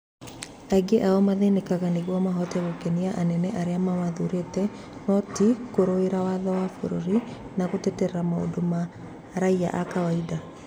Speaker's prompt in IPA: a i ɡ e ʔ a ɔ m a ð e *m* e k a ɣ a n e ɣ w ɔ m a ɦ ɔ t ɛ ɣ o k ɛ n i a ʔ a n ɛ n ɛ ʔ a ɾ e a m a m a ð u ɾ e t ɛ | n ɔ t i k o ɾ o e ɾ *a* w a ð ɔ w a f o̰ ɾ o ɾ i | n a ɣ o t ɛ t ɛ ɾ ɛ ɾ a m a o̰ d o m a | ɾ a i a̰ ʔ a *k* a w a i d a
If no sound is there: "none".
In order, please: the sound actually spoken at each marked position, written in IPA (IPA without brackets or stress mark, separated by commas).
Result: n, a, k